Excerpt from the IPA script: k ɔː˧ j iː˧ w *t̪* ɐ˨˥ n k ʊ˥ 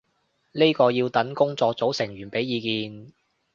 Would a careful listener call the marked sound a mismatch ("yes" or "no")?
no